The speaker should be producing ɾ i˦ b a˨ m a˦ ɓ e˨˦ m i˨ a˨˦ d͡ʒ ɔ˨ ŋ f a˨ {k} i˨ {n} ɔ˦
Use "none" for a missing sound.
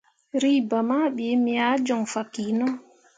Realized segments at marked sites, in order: k, n

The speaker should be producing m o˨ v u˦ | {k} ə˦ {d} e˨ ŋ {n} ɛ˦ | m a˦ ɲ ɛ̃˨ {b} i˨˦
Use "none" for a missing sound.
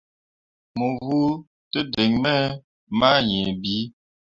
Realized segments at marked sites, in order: t, d, m, b

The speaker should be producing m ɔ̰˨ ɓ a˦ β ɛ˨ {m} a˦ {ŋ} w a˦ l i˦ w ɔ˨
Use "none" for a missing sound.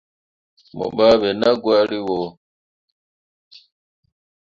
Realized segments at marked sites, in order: n, ɡ

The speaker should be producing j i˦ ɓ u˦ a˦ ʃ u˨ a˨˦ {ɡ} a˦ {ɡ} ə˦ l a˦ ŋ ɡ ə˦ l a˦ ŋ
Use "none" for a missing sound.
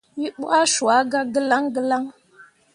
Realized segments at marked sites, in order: ɡ, ɡ

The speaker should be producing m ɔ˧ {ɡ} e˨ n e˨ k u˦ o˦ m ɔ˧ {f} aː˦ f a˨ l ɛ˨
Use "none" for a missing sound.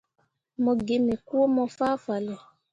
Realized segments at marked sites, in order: ɡ, f

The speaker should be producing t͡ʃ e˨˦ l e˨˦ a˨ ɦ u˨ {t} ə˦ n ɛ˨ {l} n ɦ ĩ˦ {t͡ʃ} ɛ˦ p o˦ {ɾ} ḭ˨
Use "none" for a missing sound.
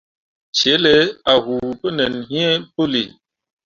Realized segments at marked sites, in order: p, none, none, l

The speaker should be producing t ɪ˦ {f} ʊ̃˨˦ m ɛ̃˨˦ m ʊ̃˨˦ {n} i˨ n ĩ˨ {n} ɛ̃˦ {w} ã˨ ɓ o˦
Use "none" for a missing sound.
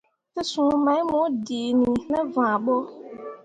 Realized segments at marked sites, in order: s, d, n, v

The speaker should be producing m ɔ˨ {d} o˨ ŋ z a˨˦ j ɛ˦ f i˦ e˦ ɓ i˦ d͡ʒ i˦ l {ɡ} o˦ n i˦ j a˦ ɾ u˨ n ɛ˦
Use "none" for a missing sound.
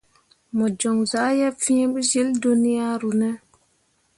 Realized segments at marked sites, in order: d͡ʒ, d

